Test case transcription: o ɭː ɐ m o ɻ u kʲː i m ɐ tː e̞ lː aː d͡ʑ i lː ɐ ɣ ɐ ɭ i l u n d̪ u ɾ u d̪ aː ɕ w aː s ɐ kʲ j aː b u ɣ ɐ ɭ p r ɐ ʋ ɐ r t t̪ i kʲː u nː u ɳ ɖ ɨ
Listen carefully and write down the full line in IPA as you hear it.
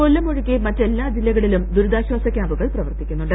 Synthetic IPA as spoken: o lː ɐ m o ɻ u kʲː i m ɐ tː e̞ lː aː d͡ʑ i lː ɐ ɣ ɐ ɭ i l u m d̪ u ɾ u d̪ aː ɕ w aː s ɐ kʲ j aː b u ɣ ɐ ɭ p r ɐ ʋ ɐ r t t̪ i kʲː u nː u ɳ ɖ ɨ